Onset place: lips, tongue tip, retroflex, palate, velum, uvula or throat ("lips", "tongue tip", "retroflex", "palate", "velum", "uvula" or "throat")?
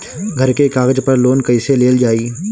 velum